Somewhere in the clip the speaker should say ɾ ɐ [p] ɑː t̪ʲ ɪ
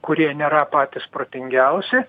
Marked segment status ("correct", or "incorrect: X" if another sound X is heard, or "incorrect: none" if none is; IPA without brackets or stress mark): correct